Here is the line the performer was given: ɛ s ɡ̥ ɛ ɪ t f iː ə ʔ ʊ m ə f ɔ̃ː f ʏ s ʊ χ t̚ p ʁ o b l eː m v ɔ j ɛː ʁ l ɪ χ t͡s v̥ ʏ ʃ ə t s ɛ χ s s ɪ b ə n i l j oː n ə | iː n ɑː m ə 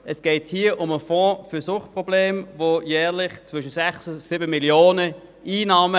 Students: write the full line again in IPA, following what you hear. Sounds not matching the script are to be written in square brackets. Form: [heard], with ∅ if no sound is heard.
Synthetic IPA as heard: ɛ s ɡ̥ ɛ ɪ t [h] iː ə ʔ ʊ m ə f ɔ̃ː f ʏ s ʊ χ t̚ p ʁ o b l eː m v [o] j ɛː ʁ l ɪ χ t͡s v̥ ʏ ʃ ə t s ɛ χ s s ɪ b ə [m] i l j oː n ə | iː n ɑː m ə